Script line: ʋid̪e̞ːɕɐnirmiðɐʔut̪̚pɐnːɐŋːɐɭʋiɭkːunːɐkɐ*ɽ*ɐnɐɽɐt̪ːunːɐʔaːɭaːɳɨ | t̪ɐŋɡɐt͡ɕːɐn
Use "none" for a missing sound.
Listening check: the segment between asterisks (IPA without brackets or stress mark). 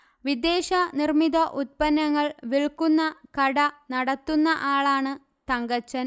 ɽ